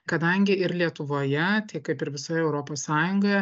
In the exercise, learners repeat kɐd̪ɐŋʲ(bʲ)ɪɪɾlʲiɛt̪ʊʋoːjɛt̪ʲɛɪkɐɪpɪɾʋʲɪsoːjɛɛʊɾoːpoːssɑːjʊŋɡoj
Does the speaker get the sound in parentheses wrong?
yes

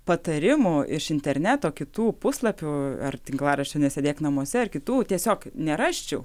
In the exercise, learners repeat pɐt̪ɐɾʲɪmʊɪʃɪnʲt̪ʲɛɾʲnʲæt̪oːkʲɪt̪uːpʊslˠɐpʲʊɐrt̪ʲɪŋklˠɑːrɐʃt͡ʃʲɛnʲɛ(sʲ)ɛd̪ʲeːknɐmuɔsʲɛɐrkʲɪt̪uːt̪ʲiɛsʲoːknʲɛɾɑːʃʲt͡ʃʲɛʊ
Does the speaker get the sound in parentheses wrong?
no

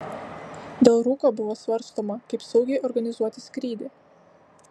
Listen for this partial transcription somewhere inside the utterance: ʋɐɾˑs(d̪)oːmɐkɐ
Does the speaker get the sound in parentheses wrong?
yes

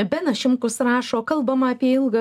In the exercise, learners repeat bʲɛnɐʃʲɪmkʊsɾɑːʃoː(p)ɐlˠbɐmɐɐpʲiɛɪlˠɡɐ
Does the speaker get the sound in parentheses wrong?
yes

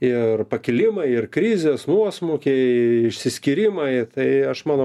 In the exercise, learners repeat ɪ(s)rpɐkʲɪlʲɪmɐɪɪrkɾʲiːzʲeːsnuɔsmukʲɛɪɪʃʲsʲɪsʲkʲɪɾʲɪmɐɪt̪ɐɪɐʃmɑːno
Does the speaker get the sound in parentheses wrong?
yes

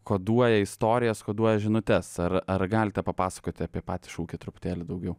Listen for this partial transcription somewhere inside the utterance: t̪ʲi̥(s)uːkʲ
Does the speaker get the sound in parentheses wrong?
yes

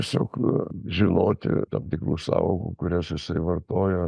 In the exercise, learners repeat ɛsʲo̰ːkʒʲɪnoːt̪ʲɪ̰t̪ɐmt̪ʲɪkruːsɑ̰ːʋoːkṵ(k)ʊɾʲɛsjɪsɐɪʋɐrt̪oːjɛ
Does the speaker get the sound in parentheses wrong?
no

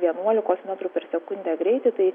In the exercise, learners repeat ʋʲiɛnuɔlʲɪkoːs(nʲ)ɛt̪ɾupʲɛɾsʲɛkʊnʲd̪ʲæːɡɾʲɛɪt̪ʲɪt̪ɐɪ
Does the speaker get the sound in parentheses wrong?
yes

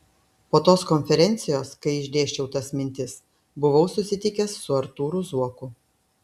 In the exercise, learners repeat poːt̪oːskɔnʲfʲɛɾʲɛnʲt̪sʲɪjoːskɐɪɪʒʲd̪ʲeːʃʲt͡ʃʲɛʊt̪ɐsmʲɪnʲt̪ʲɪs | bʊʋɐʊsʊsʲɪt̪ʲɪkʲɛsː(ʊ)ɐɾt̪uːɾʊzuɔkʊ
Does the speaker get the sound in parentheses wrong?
no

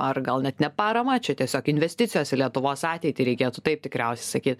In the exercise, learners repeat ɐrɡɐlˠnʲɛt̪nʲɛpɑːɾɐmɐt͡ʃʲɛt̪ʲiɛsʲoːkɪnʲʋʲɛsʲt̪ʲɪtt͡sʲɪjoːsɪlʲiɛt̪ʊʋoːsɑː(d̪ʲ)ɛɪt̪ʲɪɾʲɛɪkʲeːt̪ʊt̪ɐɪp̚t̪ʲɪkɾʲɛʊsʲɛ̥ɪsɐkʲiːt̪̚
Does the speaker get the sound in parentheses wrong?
yes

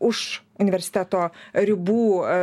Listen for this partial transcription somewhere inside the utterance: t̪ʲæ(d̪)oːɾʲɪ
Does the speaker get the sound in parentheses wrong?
yes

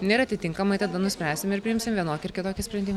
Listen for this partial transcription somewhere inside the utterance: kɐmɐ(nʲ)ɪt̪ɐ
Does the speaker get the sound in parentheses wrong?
yes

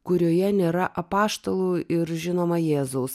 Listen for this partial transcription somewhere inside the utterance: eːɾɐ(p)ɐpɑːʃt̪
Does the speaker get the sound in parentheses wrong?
yes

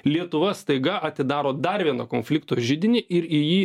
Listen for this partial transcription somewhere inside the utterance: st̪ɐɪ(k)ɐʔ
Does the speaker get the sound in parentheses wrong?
yes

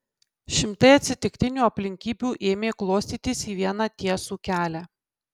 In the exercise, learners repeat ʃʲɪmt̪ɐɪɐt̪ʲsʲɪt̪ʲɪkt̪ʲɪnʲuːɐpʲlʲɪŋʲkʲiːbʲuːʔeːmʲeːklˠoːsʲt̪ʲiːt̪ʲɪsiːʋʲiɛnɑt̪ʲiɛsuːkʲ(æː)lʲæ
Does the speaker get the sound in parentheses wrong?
no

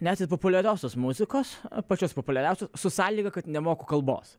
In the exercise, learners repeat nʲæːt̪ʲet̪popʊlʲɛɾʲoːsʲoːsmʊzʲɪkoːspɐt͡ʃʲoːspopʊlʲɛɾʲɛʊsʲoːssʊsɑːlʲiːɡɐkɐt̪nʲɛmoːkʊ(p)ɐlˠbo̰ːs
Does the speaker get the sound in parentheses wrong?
yes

